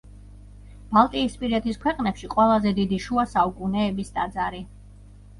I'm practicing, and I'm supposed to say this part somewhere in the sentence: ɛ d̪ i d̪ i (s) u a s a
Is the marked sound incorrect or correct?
incorrect